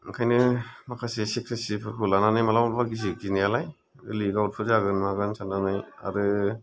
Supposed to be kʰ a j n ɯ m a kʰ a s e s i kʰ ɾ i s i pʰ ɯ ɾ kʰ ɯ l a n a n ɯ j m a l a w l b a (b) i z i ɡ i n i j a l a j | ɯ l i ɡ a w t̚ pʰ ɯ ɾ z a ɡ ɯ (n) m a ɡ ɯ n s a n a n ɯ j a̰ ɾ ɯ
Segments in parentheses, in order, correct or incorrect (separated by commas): incorrect, correct